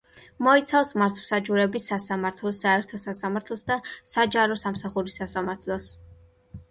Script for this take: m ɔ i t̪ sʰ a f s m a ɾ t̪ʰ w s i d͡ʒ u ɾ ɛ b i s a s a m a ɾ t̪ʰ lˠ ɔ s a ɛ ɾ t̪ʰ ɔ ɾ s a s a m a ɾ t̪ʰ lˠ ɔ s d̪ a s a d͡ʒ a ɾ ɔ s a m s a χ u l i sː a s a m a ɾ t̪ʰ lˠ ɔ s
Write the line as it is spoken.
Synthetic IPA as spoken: m ɔ i t̪ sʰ a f s m a ɾ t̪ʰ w s a d͡ʒ u ɾ ɛ b i s a s a m a ɾ t̪ʰ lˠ ɔ s a ɛ ɾ t̪ʰ ɔ s a s a m a ɾ t̪ʰ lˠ ɔ s d̪ a s a d͡ʒ a ɾ ɔ s a m s a χ u ɾ i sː a s a m a ɾ t̪ʰ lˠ ɔ s